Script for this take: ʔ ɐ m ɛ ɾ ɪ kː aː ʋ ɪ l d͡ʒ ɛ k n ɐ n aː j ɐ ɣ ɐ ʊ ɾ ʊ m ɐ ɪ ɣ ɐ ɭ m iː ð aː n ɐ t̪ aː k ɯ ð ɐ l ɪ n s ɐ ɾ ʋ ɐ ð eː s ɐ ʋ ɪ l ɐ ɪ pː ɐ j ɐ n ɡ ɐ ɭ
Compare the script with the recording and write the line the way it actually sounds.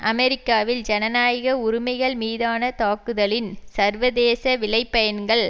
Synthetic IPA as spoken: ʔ ɐ m ɛ ɾ ɪ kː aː ʋ ɪ l d͡ʒ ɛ n ɐ n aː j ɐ ɣ ɐ ʊ ɾ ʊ m ɐ ɪ ɣ ɐ ɭ m iː ð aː n ɐ t̪ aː k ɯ ð ɐ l ɪ n s ɐ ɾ ʋ ɐ ð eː s ɐ ʋ ɪ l ɐ ɪ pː ɐ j ɐ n ɡ ɐ ɭ